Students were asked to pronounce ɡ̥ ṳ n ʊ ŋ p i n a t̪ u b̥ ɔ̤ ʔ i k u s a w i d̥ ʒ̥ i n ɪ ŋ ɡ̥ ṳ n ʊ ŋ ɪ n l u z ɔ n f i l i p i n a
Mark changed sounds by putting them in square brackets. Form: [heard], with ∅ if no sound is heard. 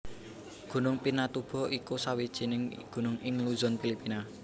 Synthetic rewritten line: ɡ̥ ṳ n ʊ ŋ p i n a t̪ u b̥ ɔ̤ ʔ i k u s a w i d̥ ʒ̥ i n ɪ ŋ ɡ̥ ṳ n ʊ ŋ ɪ [ŋ] l u z ɔ n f i l i p i n a